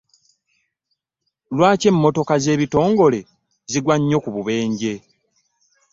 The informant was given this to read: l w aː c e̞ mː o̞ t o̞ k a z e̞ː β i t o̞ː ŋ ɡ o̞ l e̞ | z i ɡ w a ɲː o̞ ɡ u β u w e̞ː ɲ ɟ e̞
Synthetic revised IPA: l w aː c e̞ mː o̞ t o̞ k a z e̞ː β i t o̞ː ŋ ɡ o̞ l e̞ | z i ɡ w a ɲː o̞ k u β u β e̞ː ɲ ɟ e̞